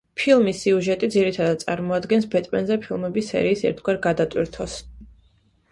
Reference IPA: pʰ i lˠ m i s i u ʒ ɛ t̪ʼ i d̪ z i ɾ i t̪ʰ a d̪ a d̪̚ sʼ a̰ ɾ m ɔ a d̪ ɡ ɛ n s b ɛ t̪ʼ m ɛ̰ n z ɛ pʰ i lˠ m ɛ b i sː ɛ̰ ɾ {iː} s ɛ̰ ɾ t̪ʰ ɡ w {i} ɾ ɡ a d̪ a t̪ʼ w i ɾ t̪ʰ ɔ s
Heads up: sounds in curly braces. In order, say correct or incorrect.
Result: correct, incorrect

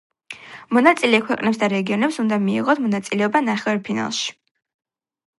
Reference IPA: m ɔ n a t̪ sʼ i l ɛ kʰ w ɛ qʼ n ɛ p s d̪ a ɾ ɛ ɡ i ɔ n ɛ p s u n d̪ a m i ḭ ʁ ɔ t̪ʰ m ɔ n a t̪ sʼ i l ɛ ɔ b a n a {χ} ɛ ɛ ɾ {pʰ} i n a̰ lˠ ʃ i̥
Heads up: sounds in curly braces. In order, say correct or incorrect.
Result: correct, correct

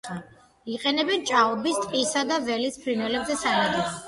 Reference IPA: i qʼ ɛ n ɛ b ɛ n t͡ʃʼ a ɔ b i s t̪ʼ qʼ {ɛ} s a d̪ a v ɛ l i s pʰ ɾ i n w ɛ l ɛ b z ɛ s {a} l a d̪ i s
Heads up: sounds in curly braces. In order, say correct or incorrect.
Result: incorrect, correct

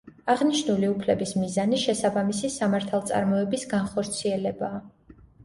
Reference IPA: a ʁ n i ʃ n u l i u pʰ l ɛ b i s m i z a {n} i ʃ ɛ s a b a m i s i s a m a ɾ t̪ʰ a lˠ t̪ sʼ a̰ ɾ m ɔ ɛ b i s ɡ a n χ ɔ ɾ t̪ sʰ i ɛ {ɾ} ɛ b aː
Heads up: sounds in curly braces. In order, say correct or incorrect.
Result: correct, incorrect

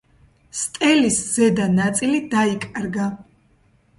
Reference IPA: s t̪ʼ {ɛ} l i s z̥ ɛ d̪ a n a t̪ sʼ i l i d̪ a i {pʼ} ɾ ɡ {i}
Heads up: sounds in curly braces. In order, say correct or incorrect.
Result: correct, incorrect, incorrect

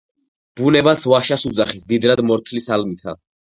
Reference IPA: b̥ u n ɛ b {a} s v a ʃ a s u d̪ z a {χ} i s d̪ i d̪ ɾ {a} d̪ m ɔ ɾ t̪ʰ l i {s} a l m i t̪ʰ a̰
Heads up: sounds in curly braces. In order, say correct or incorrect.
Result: correct, correct, correct, correct

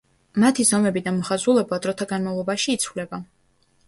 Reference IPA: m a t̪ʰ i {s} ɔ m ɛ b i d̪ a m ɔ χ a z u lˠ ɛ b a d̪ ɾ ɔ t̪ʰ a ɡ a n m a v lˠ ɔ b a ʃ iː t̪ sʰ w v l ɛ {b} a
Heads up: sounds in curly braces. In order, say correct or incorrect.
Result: incorrect, correct

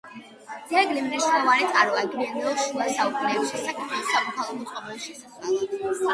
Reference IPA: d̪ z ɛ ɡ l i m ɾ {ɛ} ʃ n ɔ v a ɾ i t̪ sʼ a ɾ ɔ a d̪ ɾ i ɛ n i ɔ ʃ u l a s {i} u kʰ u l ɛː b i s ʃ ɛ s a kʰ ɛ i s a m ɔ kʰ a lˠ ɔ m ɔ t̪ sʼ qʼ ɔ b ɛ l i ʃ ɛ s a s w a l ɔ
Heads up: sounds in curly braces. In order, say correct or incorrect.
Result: correct, incorrect

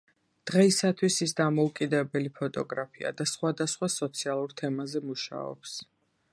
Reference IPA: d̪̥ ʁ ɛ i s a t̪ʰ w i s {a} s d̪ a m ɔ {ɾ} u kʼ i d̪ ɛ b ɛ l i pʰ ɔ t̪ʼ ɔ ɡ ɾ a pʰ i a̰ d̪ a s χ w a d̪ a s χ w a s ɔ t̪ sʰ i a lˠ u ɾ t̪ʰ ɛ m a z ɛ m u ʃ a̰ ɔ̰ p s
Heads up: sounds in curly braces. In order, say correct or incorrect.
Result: incorrect, incorrect

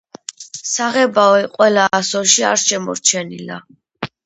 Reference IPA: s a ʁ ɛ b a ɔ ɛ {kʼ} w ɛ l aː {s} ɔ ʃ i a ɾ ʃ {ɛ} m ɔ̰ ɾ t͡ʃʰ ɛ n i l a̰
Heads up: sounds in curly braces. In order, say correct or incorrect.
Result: incorrect, correct, correct

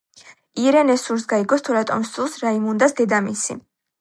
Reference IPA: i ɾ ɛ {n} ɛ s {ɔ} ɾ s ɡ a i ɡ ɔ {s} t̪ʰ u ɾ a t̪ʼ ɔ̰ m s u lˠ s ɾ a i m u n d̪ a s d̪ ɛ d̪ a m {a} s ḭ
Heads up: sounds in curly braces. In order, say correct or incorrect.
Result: correct, incorrect, correct, incorrect

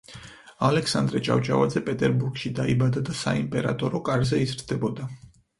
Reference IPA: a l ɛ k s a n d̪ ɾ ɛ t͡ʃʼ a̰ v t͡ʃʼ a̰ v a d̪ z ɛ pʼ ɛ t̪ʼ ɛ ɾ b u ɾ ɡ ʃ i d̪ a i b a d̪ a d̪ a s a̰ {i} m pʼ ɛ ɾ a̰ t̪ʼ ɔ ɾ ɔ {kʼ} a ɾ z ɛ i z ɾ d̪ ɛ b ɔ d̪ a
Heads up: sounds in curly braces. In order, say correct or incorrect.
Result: correct, correct

